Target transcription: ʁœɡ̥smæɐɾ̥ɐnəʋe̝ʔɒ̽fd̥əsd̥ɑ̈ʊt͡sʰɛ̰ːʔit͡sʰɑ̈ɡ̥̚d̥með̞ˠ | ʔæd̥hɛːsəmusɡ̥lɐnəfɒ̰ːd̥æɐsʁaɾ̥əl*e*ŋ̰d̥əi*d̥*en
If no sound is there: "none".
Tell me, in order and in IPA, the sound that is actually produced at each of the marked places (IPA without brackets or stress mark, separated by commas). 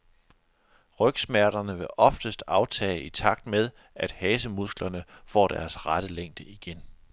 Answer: e, ɡ̥